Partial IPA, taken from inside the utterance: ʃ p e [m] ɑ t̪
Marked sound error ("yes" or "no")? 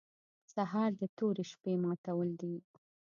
no